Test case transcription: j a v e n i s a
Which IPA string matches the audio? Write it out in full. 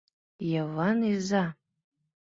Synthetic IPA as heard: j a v a n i z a

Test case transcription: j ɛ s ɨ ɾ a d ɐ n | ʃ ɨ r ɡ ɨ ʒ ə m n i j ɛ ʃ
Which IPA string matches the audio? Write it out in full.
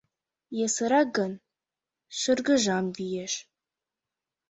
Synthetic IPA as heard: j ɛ s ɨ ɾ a ɡ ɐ n | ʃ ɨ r ɡ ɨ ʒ a m d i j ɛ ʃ

